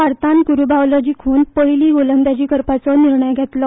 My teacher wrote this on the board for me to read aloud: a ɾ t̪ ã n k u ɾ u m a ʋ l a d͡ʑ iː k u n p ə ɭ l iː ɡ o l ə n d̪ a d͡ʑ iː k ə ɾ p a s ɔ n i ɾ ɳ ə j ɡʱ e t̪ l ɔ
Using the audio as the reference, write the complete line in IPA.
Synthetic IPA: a ɾ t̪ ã n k u ɾ u b a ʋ l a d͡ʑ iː kʰ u n p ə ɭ l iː ɡ o l ə n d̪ a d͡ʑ iː k ə ɾ p a t͡s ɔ n i ɾ ɳ ə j ɡʱ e t̪ l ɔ